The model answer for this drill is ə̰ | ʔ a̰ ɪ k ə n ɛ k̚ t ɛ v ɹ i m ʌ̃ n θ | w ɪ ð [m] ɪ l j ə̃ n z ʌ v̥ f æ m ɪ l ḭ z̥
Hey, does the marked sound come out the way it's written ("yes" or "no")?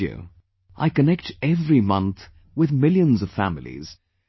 yes